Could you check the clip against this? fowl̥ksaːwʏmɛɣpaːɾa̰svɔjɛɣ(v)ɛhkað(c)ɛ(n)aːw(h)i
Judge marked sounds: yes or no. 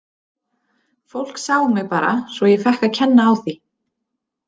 no, no, no, no

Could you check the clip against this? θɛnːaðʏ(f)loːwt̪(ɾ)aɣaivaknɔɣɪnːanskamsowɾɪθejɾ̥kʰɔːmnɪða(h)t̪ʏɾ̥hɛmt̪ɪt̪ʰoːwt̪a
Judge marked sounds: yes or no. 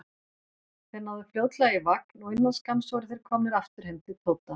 yes, no, no

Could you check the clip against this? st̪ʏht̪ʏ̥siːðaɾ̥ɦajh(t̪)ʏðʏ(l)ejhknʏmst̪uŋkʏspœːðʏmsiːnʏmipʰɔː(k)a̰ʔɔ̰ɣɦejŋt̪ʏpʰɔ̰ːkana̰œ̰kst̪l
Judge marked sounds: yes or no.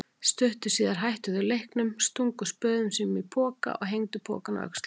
yes, yes, yes

